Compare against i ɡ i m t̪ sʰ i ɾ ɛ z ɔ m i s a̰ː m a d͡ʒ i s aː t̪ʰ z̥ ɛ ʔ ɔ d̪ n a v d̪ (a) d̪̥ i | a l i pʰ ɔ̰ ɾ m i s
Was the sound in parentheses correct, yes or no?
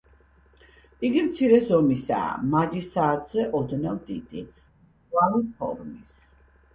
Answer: no